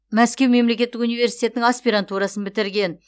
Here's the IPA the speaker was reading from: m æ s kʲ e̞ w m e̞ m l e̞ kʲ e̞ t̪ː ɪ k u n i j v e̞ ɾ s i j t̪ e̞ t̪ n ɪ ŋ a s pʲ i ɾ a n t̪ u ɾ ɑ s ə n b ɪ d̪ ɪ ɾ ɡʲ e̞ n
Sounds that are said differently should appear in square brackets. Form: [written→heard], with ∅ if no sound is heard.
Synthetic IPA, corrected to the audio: m æ s kʲ e̞ w m e̞ m l e̞ kʲ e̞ t̪ː ɪ k u n i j v e̞ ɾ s i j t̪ e̞ t̪ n ɪ ŋ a s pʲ i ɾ a n t̪ u ɾ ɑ s ə n b ɪ [d̪→t̪] ɪ ɾ ɡʲ e̞ n

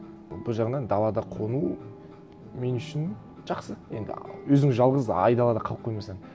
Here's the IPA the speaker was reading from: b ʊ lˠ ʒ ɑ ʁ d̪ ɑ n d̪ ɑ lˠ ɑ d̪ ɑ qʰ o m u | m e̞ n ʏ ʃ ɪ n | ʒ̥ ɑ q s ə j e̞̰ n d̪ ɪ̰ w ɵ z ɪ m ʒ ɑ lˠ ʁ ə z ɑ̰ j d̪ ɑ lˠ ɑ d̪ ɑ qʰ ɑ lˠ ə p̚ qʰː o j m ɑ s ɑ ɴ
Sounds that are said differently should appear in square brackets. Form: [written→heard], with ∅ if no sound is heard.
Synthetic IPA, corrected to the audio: b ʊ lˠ ʒ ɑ ʁ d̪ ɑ n d̪ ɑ lˠ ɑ d̪ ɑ qʰ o [m→n] u | m e̞ n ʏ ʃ ɪ n | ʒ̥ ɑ q s ə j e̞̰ n d̪ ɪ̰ w ɵ z ɪ [m→ŋ] ʒ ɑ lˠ ʁ ə z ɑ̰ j d̪ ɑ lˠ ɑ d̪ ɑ qʰ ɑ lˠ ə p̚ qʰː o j m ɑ s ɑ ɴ

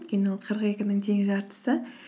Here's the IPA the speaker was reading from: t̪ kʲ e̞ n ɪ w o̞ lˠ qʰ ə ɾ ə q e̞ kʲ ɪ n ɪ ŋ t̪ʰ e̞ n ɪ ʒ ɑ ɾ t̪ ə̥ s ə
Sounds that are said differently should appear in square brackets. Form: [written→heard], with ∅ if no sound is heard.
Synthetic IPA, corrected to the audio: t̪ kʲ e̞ n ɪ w o̞ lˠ qʰ ə ɾ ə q e̞ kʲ ɪ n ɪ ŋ t̪ʰ e̞ [n→ŋ] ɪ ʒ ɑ ɾ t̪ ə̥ s ə

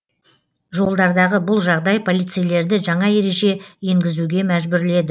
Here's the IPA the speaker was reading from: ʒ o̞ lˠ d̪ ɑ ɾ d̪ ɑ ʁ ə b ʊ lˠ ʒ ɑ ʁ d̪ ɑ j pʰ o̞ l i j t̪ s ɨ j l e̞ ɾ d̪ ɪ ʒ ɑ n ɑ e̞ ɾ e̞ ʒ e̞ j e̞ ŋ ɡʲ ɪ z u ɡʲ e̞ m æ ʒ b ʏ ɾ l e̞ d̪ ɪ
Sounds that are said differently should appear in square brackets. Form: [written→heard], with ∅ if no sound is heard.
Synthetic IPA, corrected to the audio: ʒ o̞ lˠ d̪ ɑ ɾ d̪ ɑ ʁ ə b ʊ lˠ ʒ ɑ ʁ d̪ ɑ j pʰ o̞ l i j t̪ s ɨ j l e̞ ɾ d̪ ɪ ʒ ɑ [n→ɴ] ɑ e̞ ɾ e̞ ʒ e̞ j e̞ ŋ ɡʲ ɪ z u ɡʲ e̞ m æ ʒ b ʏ ɾ l e̞ d̪ ɪ

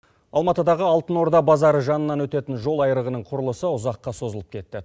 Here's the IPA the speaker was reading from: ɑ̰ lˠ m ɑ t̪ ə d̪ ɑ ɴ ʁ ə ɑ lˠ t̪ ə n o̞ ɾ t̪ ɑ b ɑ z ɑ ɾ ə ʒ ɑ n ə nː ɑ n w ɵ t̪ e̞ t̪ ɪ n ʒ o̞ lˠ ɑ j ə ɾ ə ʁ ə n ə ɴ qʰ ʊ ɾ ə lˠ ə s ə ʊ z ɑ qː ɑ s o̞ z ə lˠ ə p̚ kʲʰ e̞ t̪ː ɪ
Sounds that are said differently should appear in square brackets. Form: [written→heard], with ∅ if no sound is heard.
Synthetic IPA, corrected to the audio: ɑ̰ lˠ m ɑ t̪ ə d̪ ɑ [ɴ→∅] ʁ ə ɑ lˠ t̪ ə n o̞ ɾ [t̪→d̪] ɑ b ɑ z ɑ ɾ ə ʒ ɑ n ə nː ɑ n w ɵ t̪ e̞ t̪ ɪ n ʒ o̞ lˠ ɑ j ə ɾ ə ʁ ə n ə ɴ qʰ ʊ ɾ ə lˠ ə s ə ʊ z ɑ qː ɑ s o̞ z ə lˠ ə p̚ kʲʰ e̞ t̪ː ɪ

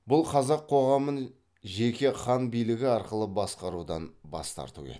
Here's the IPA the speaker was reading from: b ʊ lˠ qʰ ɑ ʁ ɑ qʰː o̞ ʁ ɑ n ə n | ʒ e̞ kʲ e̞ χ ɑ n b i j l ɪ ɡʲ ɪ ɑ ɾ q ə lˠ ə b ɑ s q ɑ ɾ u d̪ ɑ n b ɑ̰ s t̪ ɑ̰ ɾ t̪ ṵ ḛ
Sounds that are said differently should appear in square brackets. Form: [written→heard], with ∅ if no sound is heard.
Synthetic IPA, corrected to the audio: b ʊ lˠ qʰ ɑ [ʁ→z] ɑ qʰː o̞ ʁ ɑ [n→m] ə n | ʒ e̞ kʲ e̞ χ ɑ n b i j l ɪ ɡʲ ɪ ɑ ɾ q ə lˠ ə b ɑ s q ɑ ɾ u d̪ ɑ n b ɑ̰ s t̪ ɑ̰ ɾ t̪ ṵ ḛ

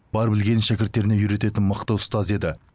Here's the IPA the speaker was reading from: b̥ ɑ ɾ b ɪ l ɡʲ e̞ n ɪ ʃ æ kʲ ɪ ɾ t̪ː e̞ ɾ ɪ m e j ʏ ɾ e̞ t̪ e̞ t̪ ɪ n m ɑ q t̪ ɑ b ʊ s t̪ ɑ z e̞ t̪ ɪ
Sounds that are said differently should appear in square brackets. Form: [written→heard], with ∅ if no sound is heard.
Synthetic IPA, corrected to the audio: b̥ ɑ ɾ b ɪ l ɡʲ e̞ n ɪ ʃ æ kʲ ɪ ɾ t̪ː e̞ ɾ ɪ [m→n] e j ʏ ɾ e̞ t̪ e̞ t̪ ɪ n m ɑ q t̪ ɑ [b→w] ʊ s t̪ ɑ z e̞ [t̪→d̪] ɪ

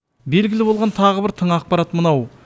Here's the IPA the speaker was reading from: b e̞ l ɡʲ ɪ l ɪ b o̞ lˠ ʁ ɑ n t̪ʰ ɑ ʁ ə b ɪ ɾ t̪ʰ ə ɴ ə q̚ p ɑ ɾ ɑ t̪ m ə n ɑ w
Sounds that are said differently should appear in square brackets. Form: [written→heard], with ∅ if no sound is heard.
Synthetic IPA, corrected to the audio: b e̞ l ɡʲ ɪ l ɪ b o̞ lˠ ʁ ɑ n t̪ʰ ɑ ʁ ə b ɪ ɾ t̪ʰ ə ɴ [ə→ɑ] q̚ p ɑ ɾ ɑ t̪ m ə n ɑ w

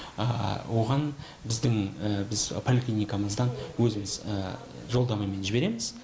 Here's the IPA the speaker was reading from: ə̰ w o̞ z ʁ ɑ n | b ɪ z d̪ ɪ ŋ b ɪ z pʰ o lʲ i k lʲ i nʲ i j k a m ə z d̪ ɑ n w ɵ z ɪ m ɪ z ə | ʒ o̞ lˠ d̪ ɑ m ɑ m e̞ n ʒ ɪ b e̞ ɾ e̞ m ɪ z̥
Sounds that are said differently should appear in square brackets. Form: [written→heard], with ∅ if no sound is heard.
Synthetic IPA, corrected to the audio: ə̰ w o̞ [z→∅] ʁ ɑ n | b ɪ z d̪ ɪ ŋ b ɪ z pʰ o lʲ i k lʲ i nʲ i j k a m ə z d̪ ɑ n w ɵ z ɪ m ɪ z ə | ʒ o̞ lˠ d̪ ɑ m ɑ m e̞ n ʒ ɪ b e̞ ɾ e̞ m ɪ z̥

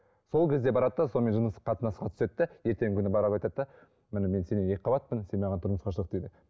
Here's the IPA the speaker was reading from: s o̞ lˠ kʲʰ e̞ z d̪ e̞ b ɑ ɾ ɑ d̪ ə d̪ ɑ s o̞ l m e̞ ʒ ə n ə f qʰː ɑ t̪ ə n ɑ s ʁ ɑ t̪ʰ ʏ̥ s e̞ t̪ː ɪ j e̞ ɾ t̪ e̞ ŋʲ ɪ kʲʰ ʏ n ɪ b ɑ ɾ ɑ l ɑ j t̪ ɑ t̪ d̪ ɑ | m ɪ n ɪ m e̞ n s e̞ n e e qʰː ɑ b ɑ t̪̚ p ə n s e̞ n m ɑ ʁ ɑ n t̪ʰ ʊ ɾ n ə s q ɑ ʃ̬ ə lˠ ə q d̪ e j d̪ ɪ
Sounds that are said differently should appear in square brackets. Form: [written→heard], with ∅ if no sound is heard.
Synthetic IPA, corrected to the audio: s o̞ lˠ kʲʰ e̞ z d̪ e̞ b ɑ ɾ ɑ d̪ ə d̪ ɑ s o̞ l m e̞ ʒ ə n ə [f→s] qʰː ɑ t̪ ə n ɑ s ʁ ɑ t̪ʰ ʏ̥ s e̞ t̪ː ɪ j e̞ ɾ t̪ e̞ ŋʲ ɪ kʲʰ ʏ n ɪ b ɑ ɾ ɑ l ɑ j t̪ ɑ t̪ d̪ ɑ | m ɪ n ɪ m e̞ n s e̞ n e e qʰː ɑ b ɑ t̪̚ p ə n s e̞ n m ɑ ʁ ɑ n t̪ʰ ʊ ɾ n ə s q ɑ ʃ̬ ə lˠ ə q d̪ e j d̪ ɪ

